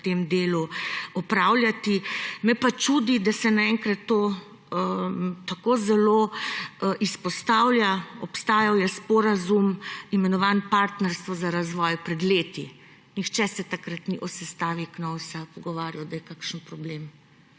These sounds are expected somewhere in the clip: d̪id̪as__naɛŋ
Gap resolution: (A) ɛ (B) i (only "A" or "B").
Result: A